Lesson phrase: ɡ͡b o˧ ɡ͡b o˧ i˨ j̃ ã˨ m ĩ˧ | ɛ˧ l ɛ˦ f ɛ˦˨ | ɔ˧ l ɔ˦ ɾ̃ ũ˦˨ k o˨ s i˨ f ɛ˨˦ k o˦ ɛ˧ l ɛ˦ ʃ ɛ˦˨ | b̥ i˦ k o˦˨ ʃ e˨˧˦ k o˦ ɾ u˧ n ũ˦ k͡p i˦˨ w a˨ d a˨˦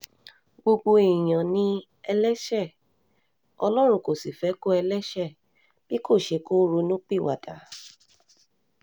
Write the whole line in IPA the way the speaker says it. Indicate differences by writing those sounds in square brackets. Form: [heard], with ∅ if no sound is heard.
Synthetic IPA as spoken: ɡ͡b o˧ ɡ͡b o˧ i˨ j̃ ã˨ [n] ĩ˧ | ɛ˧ l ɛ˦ [ʃ] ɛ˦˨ | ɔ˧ l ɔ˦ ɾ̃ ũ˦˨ k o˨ s i˨ f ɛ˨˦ k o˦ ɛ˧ l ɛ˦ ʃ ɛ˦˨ | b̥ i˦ k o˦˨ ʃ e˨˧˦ k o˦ ɾ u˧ n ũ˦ k͡p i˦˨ w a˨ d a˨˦

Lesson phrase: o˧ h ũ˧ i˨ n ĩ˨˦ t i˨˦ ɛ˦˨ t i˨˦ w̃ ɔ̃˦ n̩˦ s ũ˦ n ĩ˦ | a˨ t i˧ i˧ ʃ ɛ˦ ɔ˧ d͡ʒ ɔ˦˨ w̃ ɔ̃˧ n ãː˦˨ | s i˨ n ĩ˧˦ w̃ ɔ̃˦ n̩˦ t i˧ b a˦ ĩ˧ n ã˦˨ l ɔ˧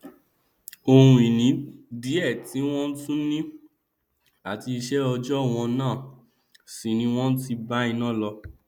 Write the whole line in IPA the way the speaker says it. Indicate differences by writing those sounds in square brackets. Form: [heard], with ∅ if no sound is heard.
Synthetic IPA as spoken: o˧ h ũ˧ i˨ n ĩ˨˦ [d] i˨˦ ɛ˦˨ t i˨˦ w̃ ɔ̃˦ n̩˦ [t] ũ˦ n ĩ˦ | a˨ t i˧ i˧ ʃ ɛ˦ ɔ˧ d͡ʒ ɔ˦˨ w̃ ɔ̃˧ n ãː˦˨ | s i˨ n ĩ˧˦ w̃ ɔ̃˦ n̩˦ t i˧ b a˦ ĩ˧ n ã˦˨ l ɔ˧

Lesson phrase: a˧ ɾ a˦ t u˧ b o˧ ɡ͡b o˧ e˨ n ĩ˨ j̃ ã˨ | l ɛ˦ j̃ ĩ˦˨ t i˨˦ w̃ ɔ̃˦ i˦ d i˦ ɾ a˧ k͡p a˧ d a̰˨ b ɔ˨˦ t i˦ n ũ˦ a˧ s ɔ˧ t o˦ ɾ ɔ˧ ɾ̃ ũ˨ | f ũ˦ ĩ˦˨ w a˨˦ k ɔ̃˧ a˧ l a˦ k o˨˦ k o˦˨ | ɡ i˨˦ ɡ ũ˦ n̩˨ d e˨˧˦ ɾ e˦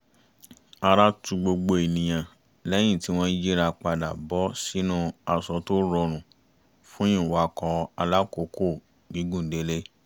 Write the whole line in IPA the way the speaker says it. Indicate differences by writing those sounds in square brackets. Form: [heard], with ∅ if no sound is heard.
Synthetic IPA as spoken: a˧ ɾ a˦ t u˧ [ɡ͡b] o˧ ɡ͡b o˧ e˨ n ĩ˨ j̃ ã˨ | l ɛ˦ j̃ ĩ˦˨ t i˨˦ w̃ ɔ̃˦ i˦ [d͡ʒ] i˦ ɾ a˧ k͡p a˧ d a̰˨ b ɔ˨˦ [s] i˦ n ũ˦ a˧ s ɔ˧ t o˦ ɾ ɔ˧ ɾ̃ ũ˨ | f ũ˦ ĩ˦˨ w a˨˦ k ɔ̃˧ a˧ l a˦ k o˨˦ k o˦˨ | ɡ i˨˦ ɡ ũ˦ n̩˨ d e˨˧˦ [l] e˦

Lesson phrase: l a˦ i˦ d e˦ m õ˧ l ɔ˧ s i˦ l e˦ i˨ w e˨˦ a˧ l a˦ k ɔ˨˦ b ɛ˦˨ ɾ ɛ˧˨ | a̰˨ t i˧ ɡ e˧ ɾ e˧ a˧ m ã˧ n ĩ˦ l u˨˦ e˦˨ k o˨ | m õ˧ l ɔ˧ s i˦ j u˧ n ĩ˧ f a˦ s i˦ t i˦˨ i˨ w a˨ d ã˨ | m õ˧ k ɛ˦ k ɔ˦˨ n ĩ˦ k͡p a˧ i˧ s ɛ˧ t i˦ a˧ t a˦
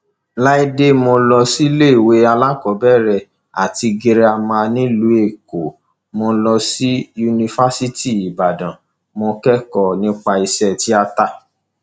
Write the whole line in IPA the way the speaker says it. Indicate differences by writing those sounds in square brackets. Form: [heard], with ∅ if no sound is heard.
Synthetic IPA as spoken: l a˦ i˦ d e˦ m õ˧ l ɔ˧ s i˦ l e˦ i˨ w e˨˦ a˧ l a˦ k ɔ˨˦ b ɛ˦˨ ɾ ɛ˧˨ | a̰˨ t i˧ ɡ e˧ ɾ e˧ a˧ m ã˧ n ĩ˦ l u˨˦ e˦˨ k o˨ | m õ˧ l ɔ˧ s i˦ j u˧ n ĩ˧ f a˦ s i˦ t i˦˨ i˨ [b] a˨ d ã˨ | m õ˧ k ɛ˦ k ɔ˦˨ n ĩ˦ k͡p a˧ i˧ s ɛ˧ t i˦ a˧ t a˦

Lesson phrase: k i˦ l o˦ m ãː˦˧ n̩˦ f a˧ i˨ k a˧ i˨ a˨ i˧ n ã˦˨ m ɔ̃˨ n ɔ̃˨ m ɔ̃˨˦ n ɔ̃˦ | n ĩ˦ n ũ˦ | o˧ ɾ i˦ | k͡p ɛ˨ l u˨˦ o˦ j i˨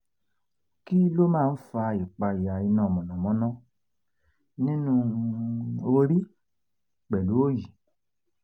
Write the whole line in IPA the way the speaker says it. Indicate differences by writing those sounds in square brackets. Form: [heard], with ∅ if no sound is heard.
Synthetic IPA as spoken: k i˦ l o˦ m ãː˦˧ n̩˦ f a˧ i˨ [k͡p] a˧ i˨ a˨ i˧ n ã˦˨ m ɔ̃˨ n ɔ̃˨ m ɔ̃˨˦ n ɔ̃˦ | n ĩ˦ n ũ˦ | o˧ ɾ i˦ | k͡p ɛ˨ l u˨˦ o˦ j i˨

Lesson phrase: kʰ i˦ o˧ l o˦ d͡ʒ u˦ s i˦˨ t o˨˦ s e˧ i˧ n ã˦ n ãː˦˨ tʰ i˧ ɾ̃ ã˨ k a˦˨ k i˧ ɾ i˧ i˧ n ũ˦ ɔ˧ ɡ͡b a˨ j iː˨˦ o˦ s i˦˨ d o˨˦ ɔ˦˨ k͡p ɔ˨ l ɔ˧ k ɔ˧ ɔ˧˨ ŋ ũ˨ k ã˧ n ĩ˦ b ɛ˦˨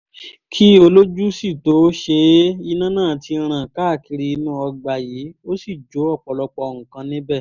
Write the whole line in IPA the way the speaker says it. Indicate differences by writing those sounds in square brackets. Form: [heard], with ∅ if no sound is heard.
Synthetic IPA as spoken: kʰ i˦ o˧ l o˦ d͡ʒ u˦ s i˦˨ t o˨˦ [ʃ] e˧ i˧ n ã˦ n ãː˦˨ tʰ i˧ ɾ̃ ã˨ k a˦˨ k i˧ ɾ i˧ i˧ n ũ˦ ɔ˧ ɡ͡b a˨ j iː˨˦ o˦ s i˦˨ [d͡ʒ] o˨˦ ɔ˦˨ k͡p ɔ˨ l ɔ˧ [k͡p] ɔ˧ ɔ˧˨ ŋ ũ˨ k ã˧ n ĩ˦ b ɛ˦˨

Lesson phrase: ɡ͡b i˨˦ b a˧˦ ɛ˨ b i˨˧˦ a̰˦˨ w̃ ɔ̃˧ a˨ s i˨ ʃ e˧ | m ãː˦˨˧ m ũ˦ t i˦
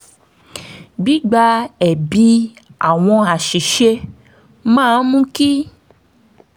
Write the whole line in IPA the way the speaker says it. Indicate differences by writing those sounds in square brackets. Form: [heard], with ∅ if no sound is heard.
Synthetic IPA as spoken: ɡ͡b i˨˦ [ɡ͡b] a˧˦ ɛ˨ b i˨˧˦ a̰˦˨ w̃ ɔ̃˧ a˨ [ʃ] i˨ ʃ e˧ | m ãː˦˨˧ m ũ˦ [k] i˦

